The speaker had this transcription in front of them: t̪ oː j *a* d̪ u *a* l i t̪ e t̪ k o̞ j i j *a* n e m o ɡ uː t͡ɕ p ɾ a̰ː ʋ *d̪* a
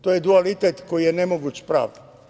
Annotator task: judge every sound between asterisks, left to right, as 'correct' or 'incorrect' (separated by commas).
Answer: incorrect, correct, incorrect, correct